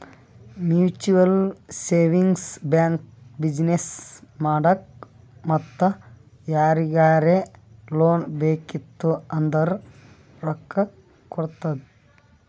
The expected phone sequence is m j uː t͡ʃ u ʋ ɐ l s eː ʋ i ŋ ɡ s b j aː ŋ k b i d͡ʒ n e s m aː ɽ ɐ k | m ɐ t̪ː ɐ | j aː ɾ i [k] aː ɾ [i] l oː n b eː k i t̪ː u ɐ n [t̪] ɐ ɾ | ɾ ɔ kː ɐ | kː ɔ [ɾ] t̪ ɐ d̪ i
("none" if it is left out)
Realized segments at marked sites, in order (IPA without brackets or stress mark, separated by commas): ɡ, e, d̪, ɽ